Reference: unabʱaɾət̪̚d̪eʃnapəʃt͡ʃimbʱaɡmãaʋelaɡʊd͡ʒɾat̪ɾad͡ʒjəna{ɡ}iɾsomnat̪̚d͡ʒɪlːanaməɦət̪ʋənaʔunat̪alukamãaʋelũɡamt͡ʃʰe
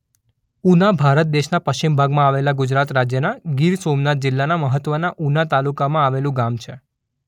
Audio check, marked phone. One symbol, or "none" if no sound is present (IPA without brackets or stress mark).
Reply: ɡ